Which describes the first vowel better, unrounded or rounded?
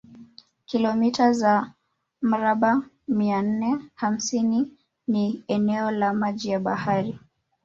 unrounded